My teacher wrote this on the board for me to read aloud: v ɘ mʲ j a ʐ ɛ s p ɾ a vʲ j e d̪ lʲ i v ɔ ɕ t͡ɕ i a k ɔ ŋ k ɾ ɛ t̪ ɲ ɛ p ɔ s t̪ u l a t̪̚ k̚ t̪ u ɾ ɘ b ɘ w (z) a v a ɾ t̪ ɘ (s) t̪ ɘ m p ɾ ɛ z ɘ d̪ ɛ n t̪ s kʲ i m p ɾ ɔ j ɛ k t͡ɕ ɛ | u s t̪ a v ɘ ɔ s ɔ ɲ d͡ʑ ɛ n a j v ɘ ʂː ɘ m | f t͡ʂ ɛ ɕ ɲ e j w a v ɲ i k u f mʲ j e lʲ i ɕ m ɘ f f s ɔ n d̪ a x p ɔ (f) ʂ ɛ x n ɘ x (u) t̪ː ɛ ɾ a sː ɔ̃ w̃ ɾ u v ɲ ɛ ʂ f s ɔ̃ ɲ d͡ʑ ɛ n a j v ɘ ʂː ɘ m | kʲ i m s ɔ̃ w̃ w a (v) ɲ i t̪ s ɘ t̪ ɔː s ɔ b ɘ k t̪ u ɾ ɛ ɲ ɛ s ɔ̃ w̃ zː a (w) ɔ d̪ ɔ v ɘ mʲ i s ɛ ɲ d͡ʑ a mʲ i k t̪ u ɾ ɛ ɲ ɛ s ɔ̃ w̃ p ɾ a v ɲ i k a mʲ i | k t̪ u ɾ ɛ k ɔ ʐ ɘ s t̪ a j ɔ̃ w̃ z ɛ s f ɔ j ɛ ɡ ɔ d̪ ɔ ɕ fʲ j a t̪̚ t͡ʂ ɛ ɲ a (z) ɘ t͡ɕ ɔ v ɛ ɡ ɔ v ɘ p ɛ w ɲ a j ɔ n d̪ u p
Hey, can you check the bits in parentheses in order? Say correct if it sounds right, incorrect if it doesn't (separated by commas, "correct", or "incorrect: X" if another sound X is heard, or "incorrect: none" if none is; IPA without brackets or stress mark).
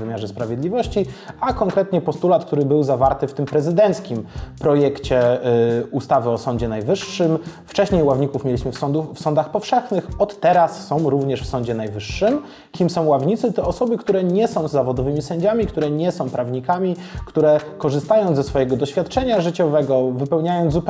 correct, incorrect: f, correct, incorrect: ɔ, correct, incorrect: v, incorrect: ʐ